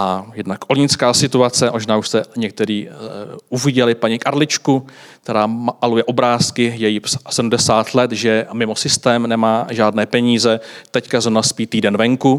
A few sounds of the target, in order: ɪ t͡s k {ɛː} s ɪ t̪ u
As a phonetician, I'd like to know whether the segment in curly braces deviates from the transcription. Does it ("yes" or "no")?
yes